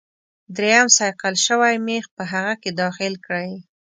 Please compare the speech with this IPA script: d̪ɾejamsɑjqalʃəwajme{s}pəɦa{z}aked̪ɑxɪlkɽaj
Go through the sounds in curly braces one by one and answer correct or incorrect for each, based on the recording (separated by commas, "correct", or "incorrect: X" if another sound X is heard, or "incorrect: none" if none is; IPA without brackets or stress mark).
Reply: incorrect: x, incorrect: ɣ